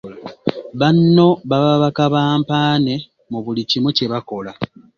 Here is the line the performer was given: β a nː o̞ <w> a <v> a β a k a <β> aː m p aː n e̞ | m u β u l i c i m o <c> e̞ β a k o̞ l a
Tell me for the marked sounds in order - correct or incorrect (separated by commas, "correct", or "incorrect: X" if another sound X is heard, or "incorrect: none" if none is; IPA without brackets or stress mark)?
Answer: incorrect: β, incorrect: β, correct, correct